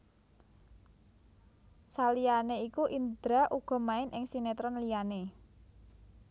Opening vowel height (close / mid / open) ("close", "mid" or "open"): open